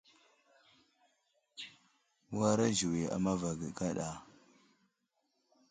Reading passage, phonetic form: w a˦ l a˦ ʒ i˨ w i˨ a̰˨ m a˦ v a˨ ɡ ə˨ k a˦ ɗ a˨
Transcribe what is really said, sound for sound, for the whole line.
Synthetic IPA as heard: w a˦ ɾ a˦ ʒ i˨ w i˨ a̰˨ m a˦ v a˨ ɡ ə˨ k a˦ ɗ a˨